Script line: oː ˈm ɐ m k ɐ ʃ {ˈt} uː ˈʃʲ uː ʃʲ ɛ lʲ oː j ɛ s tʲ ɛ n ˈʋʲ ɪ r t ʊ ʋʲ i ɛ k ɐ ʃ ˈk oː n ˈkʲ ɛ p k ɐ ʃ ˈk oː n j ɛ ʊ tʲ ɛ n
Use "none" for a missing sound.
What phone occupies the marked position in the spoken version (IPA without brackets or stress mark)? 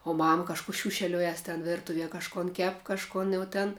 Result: k